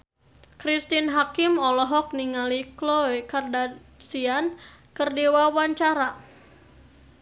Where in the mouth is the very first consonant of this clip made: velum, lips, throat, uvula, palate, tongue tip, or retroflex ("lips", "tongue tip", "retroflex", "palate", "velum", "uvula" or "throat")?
velum